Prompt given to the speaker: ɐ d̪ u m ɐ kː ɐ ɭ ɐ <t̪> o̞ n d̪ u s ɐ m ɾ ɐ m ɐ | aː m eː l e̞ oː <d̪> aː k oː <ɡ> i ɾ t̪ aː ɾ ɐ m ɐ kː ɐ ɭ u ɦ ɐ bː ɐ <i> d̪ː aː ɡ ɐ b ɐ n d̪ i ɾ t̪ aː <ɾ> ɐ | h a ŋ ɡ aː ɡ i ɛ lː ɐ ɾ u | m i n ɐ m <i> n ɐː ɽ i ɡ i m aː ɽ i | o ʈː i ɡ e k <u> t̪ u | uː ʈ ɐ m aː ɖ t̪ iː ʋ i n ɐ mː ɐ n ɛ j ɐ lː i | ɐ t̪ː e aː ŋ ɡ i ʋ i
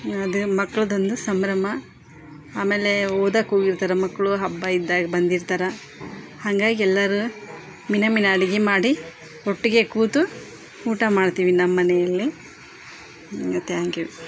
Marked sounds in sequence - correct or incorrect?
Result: incorrect: d̪, correct, correct, correct, correct, correct, incorrect: uː

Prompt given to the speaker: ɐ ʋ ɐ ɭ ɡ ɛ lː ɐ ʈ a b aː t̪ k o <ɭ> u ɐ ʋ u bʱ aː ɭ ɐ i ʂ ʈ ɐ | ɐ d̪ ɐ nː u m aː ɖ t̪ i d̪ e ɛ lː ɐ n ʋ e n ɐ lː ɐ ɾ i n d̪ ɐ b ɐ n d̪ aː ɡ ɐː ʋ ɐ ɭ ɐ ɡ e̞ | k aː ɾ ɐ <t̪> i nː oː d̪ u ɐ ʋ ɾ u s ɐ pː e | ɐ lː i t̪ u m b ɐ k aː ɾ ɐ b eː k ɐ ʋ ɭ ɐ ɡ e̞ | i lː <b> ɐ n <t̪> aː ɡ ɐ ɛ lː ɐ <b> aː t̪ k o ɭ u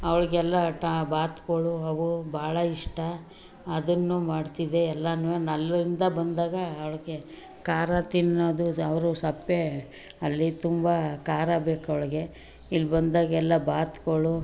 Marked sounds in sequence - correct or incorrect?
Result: correct, correct, correct, incorrect: d̪, correct

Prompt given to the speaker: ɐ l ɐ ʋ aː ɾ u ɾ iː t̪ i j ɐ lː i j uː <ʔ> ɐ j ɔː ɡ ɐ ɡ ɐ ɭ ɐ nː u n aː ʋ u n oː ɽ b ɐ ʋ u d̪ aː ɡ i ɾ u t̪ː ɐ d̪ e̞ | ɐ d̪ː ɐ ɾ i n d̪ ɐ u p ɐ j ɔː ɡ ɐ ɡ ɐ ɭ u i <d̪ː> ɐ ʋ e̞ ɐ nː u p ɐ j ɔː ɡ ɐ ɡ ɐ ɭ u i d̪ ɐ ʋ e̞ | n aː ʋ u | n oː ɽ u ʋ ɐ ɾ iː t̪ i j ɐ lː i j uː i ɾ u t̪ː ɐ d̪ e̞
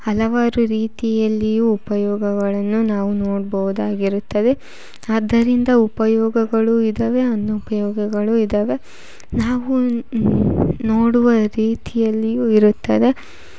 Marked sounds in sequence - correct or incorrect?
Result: incorrect: p, incorrect: d̪

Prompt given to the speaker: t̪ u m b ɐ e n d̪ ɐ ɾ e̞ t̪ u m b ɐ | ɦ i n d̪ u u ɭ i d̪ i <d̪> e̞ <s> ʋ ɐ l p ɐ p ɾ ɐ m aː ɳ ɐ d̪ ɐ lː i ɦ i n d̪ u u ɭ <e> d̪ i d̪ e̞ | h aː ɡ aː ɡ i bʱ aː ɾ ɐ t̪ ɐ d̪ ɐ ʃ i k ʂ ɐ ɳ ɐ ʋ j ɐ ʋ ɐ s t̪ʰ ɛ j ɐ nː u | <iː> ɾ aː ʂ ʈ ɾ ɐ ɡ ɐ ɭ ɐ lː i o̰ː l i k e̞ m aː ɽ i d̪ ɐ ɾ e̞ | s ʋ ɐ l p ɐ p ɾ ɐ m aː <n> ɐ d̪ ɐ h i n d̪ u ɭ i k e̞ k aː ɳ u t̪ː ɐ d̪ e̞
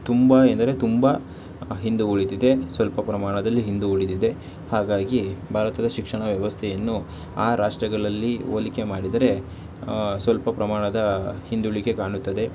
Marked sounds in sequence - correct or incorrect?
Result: correct, correct, incorrect: i, incorrect: aː, incorrect: ɳ

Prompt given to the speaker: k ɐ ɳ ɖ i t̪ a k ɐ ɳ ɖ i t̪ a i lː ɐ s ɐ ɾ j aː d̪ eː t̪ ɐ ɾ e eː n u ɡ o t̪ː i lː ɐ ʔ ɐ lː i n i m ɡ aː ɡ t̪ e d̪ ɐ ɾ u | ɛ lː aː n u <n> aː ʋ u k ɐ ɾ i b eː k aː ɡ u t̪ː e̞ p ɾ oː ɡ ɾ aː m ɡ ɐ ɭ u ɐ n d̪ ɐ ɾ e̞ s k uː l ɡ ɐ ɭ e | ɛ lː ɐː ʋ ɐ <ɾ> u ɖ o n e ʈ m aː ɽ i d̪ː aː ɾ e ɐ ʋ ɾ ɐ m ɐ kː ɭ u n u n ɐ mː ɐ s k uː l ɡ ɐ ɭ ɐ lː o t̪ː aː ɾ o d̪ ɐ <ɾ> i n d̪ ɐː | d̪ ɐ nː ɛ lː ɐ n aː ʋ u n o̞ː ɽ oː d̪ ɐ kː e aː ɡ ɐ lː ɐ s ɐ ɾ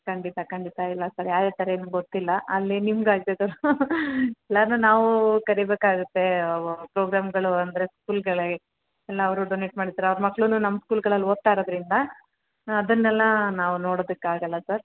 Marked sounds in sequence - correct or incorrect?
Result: correct, correct, correct

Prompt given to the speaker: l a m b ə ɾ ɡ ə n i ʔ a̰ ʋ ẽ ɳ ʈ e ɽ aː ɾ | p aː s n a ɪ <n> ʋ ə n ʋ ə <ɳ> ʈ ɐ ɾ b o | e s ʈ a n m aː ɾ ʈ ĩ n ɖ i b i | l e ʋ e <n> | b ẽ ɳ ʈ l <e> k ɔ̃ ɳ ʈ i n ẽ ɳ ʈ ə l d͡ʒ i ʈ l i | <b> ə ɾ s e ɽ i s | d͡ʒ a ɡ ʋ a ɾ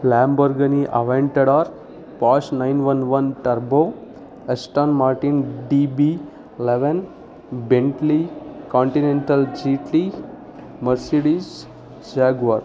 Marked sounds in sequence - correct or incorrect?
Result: correct, incorrect: n, correct, incorrect: i, incorrect: m

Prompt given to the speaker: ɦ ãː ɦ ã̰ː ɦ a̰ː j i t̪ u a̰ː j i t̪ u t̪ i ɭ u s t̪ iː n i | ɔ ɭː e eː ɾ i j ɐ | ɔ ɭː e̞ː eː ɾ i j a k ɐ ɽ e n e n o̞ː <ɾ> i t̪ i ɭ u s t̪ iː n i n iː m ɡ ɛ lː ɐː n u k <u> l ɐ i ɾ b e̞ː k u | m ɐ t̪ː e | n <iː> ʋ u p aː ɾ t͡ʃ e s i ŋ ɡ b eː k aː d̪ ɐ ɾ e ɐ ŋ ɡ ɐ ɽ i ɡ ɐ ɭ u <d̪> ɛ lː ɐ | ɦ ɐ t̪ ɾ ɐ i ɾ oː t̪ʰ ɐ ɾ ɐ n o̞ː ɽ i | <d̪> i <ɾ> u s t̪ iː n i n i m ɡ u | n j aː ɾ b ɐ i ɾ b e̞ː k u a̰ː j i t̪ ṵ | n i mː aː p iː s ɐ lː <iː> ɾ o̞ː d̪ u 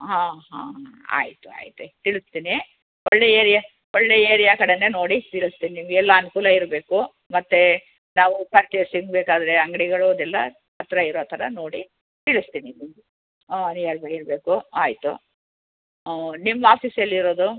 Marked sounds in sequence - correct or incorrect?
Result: incorrect: ɽ, incorrect: uː, incorrect: aː, correct, incorrect: t̪, incorrect: ɭ, incorrect: i

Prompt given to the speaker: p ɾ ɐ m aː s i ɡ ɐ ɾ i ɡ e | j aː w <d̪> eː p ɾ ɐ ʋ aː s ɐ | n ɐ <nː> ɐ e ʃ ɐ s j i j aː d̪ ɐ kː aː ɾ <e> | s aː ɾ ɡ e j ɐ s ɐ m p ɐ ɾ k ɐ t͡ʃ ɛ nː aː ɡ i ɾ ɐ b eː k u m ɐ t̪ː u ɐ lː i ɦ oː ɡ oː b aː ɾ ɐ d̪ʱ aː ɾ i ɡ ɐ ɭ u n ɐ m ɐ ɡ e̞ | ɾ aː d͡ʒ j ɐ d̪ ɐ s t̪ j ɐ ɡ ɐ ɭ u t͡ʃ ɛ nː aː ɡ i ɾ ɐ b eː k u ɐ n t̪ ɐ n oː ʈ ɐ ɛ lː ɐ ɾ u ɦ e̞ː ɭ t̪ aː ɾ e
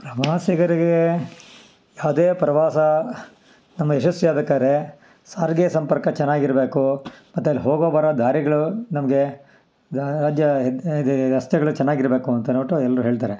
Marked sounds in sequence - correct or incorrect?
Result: correct, incorrect: mː, correct

